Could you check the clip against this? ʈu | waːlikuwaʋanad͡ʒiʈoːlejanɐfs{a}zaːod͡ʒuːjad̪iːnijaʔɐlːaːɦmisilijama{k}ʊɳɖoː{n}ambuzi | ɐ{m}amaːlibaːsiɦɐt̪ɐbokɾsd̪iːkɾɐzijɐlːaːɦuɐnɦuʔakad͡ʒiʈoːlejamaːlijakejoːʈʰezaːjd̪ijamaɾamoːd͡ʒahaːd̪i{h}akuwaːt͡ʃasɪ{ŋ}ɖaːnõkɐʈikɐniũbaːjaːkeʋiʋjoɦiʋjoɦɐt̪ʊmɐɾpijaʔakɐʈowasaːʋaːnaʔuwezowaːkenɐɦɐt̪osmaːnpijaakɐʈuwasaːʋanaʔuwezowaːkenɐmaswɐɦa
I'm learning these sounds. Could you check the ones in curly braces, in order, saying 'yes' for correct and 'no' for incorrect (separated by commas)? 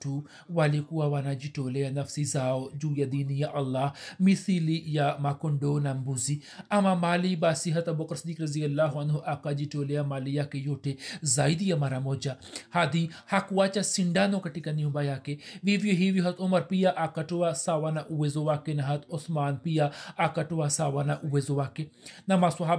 no, yes, yes, yes, yes, no